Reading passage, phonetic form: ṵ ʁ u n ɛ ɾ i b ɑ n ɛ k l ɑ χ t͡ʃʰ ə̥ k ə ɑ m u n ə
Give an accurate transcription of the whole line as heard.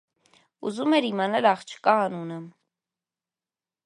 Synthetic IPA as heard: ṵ z u m ɛ ɾ i m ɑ n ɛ l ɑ χ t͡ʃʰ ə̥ k ɑ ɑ n u n ə